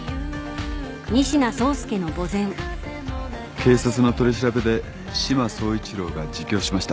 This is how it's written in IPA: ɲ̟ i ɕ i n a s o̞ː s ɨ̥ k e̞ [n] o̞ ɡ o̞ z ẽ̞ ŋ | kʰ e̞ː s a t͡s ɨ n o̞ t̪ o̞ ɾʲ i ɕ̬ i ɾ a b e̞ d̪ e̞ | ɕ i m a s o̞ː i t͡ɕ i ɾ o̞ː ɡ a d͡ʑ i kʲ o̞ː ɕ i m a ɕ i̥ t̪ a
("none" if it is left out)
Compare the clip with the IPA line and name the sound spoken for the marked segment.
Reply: n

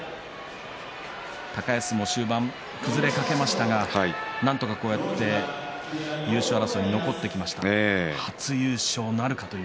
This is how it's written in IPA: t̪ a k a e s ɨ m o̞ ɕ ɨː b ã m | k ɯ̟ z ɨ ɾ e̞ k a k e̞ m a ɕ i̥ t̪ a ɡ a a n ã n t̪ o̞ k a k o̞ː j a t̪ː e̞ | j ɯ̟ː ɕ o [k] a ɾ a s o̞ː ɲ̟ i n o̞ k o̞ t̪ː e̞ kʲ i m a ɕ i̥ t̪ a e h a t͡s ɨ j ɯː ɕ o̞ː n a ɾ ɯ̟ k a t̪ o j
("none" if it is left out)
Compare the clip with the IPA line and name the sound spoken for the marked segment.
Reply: none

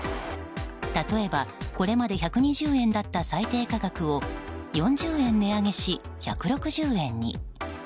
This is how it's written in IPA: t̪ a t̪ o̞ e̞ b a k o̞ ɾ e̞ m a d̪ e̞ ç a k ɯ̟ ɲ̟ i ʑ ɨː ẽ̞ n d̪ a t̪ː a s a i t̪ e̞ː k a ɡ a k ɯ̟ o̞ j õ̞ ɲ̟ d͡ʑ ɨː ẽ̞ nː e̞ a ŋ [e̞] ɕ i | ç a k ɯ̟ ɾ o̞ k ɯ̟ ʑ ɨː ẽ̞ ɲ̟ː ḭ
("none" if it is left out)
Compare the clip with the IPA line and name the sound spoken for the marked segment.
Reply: e̞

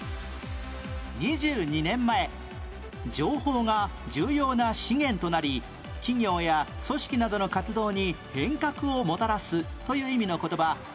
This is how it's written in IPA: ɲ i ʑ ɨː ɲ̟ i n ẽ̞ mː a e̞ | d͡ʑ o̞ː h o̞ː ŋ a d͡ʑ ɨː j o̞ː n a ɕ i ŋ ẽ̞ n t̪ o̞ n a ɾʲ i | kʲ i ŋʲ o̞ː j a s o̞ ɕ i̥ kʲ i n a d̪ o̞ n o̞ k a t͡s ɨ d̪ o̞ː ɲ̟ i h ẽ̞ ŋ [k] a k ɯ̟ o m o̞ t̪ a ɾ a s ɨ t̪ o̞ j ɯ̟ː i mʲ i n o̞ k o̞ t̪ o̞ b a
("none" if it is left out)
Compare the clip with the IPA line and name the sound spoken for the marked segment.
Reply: k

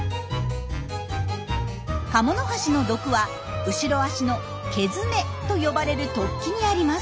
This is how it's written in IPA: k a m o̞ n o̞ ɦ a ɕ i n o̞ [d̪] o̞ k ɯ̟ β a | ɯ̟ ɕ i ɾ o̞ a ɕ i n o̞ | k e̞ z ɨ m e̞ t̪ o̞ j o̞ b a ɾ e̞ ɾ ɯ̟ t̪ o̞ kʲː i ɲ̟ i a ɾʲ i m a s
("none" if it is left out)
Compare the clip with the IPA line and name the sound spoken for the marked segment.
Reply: d̪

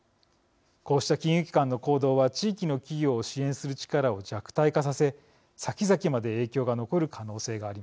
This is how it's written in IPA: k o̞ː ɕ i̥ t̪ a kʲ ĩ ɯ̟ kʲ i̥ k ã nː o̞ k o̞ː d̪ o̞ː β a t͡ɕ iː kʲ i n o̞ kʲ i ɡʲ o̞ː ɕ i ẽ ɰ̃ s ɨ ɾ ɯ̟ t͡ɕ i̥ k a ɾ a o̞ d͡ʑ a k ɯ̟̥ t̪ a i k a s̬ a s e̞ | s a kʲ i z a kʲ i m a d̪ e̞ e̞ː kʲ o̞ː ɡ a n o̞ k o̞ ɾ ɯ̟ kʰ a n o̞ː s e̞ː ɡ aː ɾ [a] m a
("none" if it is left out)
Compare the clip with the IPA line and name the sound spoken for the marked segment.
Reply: i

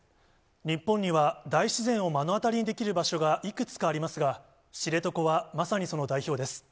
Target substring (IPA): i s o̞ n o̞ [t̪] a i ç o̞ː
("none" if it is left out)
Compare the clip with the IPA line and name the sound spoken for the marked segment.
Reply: d̪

